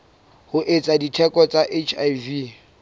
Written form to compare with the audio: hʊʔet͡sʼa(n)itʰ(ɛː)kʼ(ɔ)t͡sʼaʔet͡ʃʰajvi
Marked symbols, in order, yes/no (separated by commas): no, no, yes